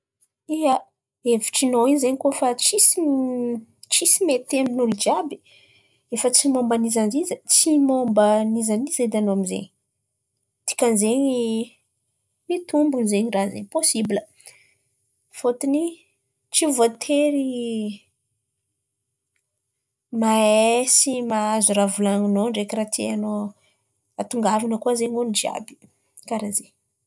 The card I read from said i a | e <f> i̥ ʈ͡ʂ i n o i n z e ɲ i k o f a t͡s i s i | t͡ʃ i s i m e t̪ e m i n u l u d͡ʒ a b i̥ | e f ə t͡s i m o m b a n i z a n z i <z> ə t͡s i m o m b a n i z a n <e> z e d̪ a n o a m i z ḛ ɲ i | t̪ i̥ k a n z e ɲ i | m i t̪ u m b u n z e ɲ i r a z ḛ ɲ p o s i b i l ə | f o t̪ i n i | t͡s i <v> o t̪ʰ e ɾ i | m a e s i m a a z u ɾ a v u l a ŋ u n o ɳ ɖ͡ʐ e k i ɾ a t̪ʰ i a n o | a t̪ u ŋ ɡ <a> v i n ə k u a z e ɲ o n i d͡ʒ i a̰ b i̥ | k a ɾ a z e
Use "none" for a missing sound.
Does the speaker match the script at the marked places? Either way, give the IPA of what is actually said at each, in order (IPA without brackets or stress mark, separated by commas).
v, z, i, v, a